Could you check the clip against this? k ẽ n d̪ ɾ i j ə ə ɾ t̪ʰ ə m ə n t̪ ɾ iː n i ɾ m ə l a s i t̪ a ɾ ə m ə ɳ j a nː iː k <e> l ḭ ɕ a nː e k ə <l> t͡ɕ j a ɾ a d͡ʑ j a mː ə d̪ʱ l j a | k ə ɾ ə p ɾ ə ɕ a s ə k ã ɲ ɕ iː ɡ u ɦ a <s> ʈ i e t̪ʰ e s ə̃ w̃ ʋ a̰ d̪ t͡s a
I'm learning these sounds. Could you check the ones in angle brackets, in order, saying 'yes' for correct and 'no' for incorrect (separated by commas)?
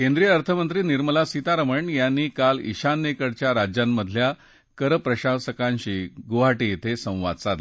no, no, no